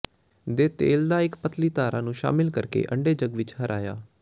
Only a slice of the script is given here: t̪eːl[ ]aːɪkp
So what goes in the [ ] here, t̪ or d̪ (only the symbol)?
d̪